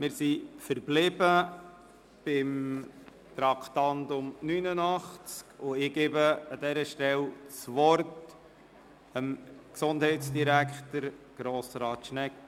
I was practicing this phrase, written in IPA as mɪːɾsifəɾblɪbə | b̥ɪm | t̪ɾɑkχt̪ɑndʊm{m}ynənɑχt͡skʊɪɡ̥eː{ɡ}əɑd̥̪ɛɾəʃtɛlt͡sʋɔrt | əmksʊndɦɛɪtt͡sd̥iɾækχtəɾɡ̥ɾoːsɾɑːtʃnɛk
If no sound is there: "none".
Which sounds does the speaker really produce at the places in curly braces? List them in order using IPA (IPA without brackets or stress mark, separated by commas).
n, b